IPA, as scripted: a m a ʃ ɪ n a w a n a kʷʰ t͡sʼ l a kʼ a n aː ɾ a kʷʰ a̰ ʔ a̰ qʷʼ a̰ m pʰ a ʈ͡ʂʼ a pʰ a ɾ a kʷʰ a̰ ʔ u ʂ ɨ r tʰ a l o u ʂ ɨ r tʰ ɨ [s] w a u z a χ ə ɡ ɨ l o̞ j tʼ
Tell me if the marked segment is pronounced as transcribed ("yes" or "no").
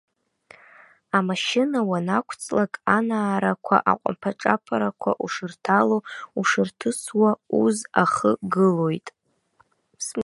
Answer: yes